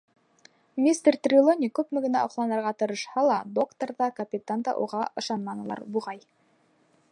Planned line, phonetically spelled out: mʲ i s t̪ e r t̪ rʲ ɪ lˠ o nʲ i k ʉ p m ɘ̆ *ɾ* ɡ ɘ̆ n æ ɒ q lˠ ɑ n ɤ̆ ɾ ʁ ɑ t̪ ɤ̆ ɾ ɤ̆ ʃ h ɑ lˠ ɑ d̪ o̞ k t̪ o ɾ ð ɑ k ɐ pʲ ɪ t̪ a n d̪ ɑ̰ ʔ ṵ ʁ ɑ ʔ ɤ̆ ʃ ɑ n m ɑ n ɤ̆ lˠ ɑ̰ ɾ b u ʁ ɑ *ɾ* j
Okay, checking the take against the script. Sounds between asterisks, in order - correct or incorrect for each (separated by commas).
incorrect, incorrect